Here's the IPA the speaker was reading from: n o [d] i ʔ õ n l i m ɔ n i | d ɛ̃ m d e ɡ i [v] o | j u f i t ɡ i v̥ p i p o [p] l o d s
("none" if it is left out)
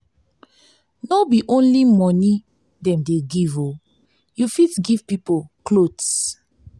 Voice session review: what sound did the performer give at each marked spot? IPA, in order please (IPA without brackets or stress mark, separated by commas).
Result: b, v, k